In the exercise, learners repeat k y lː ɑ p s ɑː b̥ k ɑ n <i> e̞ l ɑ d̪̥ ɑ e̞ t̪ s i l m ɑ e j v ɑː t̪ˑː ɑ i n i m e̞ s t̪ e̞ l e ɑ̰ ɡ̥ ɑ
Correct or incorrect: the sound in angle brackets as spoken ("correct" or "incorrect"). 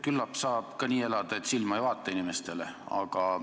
incorrect